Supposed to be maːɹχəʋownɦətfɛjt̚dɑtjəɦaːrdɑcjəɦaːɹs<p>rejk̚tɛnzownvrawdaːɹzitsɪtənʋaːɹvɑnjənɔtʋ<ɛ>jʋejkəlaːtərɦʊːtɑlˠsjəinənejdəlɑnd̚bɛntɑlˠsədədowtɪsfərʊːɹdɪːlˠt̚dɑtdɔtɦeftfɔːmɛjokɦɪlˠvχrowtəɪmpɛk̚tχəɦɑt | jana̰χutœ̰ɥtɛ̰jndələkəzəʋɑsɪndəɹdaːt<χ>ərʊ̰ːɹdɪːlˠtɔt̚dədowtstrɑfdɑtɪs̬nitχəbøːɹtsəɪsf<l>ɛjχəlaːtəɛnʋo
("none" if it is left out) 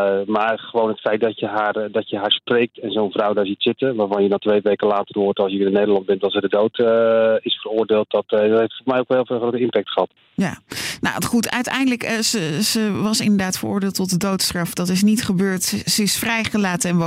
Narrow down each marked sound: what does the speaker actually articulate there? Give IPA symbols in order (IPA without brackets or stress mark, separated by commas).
p, e, f, r